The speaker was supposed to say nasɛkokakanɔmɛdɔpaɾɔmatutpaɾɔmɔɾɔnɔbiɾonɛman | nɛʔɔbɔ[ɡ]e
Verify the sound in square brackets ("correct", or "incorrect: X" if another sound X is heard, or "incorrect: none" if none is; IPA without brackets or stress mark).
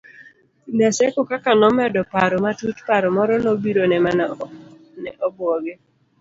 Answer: correct